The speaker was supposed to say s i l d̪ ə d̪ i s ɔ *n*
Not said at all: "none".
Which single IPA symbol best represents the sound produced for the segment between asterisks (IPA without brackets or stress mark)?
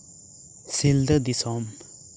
m